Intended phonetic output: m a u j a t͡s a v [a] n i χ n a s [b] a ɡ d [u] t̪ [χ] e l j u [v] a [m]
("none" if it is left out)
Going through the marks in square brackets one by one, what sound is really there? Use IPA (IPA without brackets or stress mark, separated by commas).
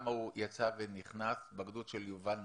e, b, u, ʃ, v, n